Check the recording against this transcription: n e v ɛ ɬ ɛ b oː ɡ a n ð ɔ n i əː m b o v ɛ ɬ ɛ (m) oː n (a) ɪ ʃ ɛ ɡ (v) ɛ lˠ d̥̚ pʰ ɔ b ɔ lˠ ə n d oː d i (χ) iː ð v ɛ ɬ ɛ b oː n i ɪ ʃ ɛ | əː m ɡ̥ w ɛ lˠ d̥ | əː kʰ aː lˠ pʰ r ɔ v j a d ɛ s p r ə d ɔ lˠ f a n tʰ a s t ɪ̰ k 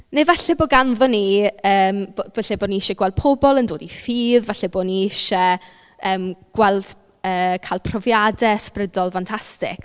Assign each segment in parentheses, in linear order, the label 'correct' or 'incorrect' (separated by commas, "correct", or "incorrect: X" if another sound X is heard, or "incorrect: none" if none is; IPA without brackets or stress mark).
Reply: incorrect: b, incorrect: i, incorrect: w, incorrect: f